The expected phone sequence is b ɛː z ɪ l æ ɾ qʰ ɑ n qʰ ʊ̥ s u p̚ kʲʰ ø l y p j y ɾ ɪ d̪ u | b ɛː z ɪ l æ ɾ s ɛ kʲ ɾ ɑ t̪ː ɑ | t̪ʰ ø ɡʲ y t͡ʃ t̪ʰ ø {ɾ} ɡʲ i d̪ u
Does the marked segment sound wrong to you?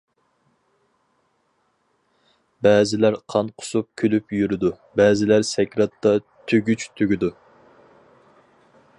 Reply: yes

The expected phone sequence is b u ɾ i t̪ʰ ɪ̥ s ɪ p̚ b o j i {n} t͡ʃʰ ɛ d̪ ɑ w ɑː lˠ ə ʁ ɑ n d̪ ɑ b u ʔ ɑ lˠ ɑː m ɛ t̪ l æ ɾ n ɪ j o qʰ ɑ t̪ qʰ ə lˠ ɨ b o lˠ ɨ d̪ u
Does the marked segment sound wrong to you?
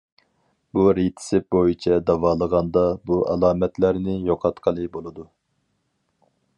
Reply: yes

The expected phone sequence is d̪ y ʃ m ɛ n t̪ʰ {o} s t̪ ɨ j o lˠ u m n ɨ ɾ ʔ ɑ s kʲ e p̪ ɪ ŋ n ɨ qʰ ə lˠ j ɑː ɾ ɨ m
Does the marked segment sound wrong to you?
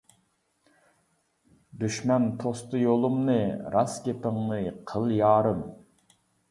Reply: no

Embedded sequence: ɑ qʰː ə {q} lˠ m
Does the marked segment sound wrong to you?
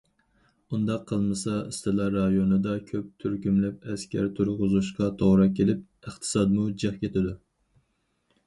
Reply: yes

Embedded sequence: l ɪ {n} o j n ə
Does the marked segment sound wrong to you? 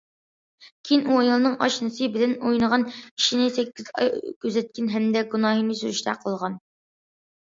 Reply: no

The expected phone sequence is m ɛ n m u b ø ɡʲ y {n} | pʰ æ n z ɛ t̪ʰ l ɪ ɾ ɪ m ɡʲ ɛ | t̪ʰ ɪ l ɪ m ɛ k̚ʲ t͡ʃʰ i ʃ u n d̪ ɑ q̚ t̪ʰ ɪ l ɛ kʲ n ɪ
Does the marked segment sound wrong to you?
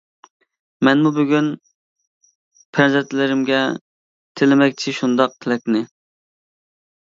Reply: no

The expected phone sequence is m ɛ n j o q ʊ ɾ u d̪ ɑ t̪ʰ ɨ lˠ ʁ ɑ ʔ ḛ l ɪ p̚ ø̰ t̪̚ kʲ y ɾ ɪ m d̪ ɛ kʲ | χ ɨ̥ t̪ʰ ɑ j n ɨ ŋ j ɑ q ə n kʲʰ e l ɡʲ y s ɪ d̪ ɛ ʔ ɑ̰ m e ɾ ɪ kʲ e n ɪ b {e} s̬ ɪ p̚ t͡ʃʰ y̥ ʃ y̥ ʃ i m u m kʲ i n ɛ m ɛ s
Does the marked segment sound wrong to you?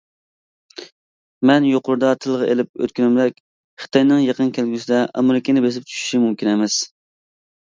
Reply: no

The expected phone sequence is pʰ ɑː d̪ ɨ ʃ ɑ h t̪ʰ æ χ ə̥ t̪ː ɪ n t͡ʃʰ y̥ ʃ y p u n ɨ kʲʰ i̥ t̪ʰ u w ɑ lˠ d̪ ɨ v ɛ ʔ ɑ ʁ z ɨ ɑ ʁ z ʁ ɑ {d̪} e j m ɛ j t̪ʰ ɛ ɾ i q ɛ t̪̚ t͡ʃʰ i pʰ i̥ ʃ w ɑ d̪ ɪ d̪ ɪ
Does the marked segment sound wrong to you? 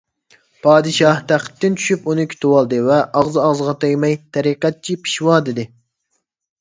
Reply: yes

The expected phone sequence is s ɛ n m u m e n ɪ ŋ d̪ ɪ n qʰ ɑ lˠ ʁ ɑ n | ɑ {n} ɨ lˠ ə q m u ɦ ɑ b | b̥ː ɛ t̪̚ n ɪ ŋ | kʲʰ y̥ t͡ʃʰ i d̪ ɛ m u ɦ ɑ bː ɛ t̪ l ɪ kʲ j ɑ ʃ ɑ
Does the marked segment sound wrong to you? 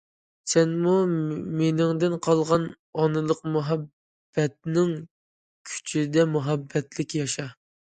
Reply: no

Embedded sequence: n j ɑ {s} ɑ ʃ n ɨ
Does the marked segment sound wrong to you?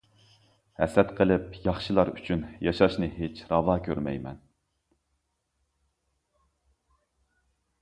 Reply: yes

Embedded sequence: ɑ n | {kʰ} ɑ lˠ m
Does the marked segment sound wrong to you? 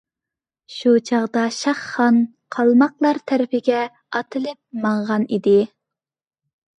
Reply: yes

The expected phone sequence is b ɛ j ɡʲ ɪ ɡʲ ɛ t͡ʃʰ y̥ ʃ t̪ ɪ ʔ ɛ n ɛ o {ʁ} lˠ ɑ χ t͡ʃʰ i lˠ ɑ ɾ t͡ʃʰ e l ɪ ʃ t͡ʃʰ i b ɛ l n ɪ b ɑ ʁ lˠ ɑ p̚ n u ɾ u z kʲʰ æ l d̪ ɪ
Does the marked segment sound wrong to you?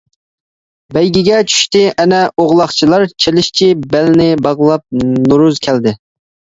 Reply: no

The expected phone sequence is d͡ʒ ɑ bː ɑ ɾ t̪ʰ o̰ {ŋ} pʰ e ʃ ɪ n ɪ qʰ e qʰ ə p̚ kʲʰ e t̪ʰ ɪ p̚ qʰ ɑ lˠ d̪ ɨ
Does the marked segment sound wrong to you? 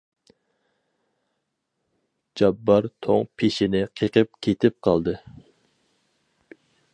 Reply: no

